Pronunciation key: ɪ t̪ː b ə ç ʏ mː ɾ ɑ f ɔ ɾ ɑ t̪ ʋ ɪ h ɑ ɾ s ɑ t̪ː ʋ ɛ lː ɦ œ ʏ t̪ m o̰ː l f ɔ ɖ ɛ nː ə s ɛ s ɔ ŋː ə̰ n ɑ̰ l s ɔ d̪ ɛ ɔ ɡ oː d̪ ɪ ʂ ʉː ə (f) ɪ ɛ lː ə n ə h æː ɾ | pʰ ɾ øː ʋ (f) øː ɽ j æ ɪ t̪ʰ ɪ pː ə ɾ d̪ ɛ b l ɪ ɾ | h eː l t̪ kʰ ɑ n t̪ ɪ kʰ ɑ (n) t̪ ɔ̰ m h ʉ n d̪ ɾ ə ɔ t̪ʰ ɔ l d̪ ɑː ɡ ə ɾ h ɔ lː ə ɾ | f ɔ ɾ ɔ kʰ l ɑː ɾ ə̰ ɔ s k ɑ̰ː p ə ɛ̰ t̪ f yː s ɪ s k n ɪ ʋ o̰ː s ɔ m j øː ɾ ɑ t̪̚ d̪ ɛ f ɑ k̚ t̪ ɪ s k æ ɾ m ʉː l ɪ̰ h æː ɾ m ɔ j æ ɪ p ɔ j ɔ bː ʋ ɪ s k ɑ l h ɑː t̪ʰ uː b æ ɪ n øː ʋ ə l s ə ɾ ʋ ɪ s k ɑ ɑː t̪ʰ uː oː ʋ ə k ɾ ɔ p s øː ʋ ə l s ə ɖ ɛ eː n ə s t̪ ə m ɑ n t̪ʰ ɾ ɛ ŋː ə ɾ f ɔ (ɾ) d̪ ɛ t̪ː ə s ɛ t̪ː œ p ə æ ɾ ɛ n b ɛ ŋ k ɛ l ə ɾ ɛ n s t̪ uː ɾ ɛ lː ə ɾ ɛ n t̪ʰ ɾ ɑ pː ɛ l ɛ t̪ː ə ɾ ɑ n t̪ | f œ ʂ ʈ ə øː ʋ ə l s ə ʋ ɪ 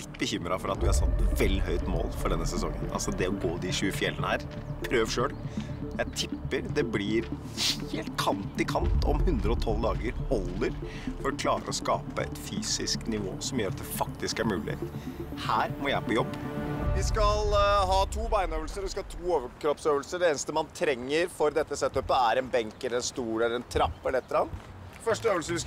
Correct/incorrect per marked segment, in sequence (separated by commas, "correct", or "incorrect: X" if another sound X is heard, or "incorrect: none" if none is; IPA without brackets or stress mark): correct, incorrect: ʂ, correct, correct